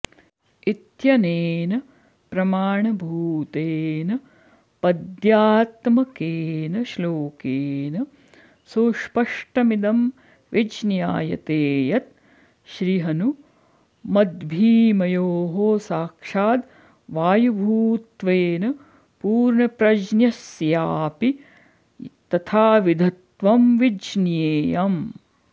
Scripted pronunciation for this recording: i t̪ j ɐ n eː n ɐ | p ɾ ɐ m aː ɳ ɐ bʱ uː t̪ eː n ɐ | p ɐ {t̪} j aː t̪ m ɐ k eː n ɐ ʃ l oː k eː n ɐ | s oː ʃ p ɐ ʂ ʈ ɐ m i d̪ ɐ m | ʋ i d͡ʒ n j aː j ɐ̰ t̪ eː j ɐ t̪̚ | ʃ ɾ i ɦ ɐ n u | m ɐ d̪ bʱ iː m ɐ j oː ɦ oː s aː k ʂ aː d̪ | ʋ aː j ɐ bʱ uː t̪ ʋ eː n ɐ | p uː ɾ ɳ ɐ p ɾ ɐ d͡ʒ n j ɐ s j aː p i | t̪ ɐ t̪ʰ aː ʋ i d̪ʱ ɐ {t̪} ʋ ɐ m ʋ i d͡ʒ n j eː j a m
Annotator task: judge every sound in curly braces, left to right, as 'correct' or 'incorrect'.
incorrect: d̪, correct

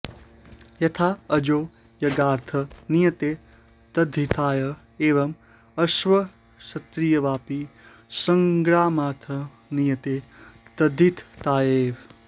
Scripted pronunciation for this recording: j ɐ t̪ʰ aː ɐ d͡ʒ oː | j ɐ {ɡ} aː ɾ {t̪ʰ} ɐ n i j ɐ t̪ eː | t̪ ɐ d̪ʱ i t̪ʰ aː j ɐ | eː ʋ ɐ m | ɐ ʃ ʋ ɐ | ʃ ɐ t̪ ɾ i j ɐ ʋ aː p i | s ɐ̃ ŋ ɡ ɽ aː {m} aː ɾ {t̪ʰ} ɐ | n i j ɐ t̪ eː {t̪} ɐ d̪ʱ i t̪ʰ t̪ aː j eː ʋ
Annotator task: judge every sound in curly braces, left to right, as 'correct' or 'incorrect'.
correct, correct, correct, correct, correct

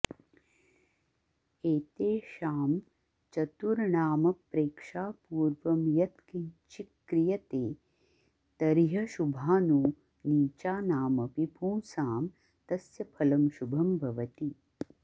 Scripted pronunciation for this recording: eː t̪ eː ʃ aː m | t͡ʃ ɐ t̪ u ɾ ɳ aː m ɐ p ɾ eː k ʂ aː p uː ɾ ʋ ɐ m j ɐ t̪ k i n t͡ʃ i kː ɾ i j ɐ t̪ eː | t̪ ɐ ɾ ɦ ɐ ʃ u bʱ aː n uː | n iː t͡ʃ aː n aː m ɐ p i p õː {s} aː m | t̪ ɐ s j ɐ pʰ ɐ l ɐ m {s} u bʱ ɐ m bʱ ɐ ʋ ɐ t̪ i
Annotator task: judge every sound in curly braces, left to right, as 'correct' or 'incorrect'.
correct, incorrect: ʃ

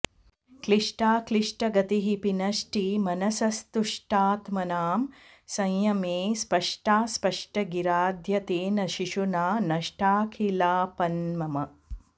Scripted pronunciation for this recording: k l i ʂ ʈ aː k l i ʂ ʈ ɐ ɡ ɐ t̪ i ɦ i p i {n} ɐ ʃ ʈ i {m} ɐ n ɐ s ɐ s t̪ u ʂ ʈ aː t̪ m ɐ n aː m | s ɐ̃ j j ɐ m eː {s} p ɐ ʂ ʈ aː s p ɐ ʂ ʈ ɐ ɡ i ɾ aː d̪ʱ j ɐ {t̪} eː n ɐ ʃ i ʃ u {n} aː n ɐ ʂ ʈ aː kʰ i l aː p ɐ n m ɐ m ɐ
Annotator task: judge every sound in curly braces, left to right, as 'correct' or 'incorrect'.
correct, correct, correct, correct, correct

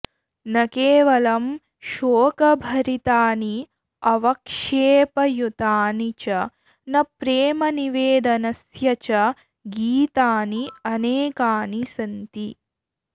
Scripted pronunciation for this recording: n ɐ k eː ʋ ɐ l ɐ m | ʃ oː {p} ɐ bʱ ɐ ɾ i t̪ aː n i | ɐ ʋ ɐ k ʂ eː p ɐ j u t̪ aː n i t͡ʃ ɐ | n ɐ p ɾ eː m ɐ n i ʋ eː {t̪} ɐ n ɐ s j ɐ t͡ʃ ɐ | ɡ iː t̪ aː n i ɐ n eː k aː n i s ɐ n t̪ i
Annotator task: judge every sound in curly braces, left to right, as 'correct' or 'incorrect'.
incorrect: k, incorrect: d̪

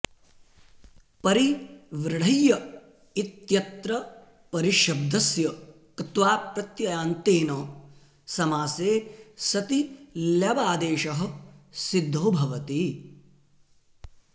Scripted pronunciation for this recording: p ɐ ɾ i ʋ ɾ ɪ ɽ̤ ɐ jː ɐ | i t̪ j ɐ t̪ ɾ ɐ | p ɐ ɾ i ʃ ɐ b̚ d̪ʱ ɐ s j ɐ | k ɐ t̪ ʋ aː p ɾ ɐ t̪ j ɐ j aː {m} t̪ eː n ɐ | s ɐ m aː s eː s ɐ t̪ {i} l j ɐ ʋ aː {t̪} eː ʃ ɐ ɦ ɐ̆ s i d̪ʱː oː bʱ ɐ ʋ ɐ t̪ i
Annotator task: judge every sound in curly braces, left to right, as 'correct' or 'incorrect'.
incorrect: n, correct, incorrect: d̪

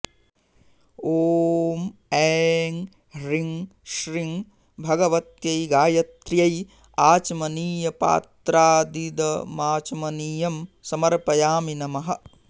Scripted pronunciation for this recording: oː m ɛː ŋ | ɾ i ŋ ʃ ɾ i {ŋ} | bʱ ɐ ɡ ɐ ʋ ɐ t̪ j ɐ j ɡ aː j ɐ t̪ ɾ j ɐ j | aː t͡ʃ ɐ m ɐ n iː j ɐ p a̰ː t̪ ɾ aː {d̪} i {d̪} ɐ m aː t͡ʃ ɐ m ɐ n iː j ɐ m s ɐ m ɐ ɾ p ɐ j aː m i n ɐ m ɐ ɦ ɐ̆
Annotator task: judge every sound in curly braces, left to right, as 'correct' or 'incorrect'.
correct, correct, correct

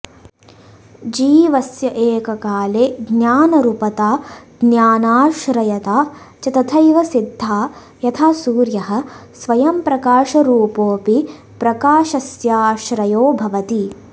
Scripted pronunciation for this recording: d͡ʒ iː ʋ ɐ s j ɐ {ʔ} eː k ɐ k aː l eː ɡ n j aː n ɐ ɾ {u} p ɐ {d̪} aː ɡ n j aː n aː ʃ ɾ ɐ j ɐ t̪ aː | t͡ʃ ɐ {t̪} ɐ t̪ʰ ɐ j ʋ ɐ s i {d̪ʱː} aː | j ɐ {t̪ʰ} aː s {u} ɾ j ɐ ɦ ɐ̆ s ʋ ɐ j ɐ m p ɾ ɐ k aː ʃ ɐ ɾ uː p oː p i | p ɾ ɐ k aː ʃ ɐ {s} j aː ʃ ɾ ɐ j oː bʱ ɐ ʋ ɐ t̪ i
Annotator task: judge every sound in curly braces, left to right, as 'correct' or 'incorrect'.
correct, correct, incorrect: t̪, correct, correct, correct, incorrect: uː, correct

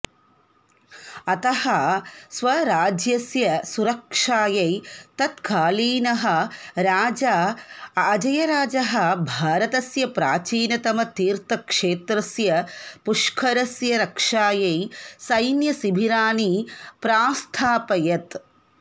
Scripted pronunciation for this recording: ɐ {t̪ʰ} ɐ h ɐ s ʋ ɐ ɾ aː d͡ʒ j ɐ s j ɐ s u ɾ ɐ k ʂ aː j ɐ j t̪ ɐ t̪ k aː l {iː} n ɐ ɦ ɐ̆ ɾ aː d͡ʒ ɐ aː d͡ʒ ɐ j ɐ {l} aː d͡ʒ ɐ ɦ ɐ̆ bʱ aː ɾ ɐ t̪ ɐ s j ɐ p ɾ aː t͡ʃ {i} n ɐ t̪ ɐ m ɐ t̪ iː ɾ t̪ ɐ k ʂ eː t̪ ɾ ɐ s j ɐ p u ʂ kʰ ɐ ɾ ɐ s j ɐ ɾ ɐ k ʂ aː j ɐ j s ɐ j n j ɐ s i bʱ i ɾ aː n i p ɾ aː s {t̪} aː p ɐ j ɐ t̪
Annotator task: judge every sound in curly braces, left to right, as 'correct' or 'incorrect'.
incorrect: t̪, correct, incorrect: ɾ, incorrect: iː, incorrect: t̪ʰ

